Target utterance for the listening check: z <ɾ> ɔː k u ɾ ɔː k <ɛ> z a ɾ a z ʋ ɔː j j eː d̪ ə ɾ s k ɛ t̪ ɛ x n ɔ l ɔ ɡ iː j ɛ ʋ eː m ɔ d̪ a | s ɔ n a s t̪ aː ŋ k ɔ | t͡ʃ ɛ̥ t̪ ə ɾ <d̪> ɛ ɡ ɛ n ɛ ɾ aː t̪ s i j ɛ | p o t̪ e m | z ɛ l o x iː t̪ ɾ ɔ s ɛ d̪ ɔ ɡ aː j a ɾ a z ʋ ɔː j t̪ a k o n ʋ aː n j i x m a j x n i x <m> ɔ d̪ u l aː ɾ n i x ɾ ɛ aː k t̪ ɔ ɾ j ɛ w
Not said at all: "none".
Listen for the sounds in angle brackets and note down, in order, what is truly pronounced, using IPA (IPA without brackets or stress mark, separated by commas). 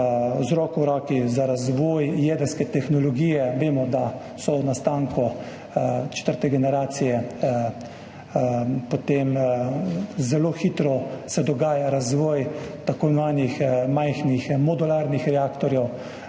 ɾ, i, t̪, m